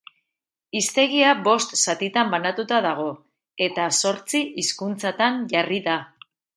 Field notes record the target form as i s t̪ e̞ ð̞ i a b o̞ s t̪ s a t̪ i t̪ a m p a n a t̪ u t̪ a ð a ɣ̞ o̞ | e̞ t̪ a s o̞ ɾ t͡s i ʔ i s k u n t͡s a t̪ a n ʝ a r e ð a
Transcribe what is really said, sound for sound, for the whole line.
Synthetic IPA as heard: i s t̪ e̞ ɣ̞ i a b o̞ s t̪ s a t̪ i t̪ a m b a n a t̪ u t̪ a ð a ɣ̞ o̞ | e̞ t̪ a s o̞ ɾ t͡s i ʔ i s k u n t͡s a t̪ a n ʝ a r i ð a